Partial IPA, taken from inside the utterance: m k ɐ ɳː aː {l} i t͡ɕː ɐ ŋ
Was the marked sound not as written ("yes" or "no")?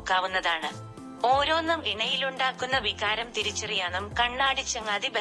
yes